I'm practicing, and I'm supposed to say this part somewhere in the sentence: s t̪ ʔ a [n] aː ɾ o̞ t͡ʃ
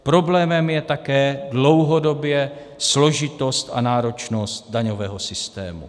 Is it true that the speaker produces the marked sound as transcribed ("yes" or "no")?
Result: yes